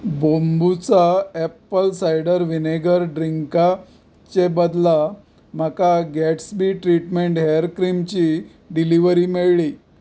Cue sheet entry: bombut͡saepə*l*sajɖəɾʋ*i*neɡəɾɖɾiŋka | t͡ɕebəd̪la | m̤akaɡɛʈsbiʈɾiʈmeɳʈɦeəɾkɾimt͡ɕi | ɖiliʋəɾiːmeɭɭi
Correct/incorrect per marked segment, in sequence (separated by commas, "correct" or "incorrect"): correct, correct